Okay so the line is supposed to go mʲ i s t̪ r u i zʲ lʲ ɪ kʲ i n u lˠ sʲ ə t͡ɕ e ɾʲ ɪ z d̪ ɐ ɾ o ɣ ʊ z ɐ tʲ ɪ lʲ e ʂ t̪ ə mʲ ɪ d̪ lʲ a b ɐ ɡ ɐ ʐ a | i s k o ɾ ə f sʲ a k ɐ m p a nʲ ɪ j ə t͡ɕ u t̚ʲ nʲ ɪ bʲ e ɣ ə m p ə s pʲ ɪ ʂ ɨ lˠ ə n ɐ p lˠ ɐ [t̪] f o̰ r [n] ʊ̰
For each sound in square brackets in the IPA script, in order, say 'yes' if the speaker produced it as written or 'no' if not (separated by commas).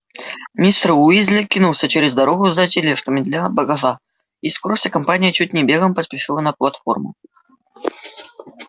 yes, no